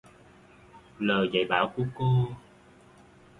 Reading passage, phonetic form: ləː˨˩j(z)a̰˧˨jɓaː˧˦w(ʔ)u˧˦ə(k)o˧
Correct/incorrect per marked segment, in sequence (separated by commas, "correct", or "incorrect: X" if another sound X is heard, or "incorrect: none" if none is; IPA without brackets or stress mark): correct, incorrect: k, correct